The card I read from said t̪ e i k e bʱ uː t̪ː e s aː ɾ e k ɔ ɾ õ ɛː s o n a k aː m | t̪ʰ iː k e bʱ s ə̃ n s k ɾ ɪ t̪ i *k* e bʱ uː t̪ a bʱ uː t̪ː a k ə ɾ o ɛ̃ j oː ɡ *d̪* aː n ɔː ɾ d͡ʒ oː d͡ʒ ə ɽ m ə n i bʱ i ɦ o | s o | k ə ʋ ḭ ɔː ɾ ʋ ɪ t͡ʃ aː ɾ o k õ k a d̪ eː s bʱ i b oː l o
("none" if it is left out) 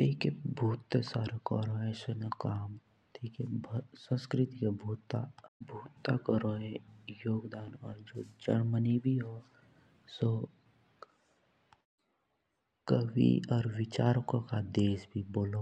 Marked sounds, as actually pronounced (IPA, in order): k, d̪

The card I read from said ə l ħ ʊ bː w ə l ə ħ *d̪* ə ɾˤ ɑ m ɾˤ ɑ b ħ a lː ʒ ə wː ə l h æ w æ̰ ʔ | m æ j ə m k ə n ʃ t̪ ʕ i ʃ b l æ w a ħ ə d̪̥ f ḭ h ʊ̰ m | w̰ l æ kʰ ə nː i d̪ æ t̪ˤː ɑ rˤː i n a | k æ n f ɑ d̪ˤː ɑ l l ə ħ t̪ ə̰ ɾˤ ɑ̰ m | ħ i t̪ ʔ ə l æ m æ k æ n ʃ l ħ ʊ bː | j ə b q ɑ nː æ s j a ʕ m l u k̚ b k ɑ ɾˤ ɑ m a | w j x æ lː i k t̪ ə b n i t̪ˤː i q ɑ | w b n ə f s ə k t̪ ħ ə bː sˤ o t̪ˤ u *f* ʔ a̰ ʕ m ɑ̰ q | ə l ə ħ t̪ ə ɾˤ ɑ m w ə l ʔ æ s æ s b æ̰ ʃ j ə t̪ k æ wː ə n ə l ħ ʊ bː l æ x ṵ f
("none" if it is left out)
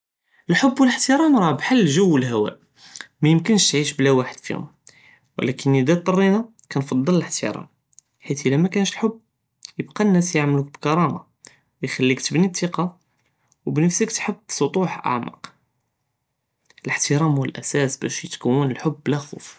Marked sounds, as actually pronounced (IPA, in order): t̪, ħ

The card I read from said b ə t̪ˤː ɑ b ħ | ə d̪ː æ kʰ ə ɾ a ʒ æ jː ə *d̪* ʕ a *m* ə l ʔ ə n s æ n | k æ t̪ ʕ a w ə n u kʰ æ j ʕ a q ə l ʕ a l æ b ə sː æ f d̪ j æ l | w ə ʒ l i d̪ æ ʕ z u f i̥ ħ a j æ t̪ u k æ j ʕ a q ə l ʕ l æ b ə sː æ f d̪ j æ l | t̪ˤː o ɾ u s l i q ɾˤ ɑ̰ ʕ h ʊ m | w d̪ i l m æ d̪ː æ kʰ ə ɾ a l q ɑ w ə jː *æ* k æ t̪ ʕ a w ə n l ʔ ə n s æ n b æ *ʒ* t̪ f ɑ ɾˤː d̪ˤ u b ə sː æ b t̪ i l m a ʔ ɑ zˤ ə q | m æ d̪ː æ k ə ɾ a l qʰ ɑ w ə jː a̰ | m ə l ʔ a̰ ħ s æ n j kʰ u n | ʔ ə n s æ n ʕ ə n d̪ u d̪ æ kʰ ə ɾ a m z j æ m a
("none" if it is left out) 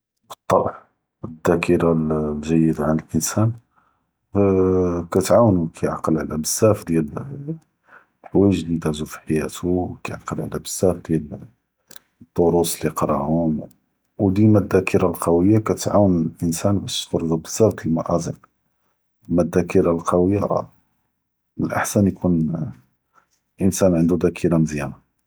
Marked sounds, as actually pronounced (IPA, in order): d̪, n, a, ʃ

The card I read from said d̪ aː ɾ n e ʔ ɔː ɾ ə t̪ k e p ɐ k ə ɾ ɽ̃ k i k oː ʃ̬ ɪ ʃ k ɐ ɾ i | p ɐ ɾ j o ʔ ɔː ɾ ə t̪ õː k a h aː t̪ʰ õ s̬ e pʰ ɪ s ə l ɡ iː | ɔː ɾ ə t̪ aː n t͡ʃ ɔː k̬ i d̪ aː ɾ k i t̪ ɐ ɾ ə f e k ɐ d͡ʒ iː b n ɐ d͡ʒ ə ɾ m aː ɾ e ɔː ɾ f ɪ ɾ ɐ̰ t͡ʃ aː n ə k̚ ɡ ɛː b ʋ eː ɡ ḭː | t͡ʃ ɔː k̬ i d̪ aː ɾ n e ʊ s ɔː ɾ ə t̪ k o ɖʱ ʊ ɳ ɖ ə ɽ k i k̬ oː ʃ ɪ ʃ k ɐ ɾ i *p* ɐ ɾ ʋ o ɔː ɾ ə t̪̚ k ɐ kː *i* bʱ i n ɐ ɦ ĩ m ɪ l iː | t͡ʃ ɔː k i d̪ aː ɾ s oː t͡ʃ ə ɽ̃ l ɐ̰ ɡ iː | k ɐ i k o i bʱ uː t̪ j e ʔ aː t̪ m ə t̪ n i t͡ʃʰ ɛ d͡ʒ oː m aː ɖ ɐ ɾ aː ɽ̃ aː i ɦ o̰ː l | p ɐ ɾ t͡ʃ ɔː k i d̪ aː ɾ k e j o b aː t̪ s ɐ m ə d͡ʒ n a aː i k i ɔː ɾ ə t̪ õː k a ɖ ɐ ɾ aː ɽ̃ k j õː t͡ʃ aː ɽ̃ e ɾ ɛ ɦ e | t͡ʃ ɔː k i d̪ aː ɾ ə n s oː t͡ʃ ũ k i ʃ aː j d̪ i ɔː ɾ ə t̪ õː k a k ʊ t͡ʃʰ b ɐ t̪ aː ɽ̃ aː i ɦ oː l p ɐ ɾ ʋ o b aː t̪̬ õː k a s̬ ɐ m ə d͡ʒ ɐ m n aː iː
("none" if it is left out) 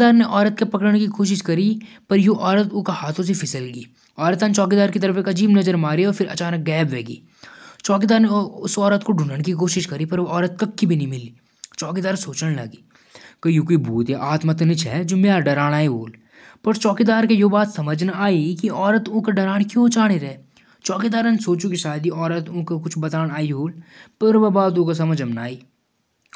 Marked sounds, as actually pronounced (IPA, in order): p, i

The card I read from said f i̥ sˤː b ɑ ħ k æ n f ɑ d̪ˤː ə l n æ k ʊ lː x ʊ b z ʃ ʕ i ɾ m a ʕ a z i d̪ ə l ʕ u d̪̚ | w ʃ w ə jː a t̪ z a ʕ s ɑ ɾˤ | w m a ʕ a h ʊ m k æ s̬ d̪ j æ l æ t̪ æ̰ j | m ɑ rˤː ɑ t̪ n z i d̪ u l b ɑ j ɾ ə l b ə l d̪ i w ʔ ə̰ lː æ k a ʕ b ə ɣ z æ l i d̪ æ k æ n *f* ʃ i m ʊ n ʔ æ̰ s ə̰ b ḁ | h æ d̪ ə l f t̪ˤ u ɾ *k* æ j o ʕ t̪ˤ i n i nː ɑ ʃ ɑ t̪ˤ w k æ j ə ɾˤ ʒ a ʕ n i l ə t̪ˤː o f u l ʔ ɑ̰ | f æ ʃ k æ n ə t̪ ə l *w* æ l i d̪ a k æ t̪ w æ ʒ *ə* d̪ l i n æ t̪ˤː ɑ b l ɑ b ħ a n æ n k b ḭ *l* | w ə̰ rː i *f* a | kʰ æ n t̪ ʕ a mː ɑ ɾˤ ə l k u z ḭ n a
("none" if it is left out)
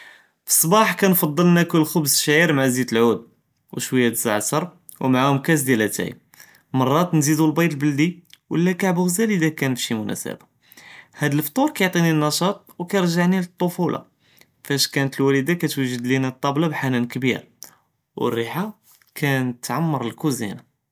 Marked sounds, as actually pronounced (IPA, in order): f, k, w, ə, ɾ, ħ

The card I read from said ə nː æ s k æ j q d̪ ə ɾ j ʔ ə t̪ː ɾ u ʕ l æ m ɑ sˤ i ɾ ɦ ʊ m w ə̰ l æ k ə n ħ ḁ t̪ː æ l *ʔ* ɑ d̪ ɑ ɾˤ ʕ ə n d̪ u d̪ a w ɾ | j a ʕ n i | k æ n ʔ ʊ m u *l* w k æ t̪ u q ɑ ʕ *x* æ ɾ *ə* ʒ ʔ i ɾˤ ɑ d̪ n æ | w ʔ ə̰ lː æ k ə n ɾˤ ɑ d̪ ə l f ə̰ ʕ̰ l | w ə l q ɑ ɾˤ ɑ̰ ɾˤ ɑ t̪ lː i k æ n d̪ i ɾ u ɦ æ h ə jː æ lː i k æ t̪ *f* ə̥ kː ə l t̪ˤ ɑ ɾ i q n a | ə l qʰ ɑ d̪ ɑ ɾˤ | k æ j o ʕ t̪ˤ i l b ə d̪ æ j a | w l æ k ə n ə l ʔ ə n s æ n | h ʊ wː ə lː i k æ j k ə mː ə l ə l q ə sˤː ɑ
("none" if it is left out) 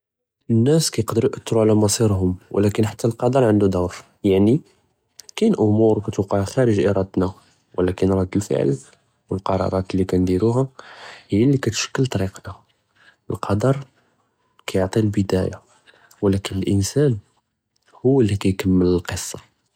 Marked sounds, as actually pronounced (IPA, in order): q, ɾ, x, ə, ʃ

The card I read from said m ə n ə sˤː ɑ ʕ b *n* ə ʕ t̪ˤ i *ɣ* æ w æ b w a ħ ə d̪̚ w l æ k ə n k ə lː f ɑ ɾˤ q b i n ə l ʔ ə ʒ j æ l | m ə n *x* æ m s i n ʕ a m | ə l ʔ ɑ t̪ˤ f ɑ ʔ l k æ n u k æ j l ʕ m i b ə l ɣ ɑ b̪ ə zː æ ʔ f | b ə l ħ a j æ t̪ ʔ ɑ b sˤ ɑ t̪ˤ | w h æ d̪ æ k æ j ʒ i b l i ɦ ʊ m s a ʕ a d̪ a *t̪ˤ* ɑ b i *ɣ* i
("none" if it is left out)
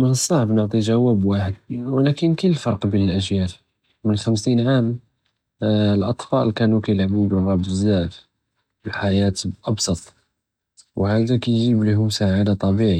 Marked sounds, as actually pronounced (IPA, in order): n, ʒ, x, t̪ˤ, ʕ

